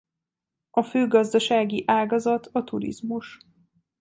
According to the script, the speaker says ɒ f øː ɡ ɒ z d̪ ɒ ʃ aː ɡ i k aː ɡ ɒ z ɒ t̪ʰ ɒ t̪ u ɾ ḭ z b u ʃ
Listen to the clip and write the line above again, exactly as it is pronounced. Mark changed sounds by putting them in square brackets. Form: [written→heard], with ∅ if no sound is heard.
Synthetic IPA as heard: ɒ f øː ɡ ɒ z d̪ ɒ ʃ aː ɡ i [k→ʔ] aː ɡ ɒ z ɒ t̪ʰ ɒ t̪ u ɾ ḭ z [b→m] u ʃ